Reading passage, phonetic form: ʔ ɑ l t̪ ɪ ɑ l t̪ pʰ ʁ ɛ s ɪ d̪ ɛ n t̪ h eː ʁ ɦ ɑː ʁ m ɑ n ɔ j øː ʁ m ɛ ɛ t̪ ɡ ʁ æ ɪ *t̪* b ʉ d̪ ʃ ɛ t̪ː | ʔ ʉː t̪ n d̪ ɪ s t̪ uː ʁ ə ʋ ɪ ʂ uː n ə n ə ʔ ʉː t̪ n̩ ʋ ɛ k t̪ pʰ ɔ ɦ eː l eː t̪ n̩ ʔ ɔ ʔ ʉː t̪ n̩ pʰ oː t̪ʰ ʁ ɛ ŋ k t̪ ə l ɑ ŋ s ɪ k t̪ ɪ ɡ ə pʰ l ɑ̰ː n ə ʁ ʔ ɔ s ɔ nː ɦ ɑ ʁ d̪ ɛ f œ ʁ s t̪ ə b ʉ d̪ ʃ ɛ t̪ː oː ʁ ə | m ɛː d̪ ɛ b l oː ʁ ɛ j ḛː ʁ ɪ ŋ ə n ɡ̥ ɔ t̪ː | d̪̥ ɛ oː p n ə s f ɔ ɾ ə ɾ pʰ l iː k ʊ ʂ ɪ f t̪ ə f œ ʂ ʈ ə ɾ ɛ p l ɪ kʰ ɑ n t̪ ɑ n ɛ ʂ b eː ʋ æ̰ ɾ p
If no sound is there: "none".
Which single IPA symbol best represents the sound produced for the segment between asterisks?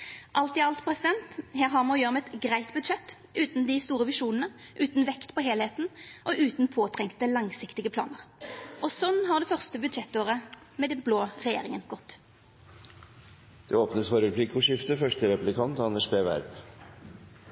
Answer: t̪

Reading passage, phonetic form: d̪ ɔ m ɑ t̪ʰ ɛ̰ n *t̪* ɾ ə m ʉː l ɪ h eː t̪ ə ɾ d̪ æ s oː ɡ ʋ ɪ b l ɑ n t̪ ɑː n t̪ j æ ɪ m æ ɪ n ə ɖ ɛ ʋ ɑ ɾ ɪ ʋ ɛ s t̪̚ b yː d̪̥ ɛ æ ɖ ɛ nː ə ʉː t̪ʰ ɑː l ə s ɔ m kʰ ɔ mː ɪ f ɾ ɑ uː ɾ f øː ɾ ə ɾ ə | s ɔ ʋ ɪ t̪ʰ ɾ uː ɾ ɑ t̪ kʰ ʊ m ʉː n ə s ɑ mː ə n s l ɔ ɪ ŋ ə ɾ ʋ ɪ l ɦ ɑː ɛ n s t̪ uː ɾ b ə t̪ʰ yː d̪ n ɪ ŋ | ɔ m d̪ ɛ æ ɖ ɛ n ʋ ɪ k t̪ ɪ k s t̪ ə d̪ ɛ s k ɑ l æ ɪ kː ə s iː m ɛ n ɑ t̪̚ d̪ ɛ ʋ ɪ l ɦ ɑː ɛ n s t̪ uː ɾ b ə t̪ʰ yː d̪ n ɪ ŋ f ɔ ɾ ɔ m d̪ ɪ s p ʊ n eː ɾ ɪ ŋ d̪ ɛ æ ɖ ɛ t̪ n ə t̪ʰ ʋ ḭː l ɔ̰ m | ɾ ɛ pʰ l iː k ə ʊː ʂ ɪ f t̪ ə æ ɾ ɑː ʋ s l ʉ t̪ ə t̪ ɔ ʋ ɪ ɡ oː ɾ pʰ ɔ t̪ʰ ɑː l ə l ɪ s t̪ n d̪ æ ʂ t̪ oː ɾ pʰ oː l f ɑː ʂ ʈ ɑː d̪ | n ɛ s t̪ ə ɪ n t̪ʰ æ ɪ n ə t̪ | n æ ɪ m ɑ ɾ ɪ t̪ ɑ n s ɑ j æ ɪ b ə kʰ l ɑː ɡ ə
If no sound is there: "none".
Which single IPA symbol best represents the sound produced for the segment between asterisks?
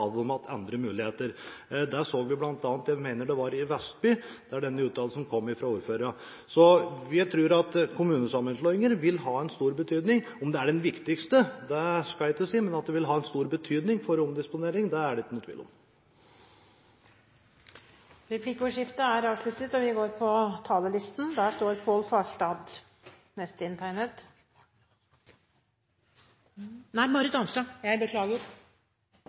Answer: d̪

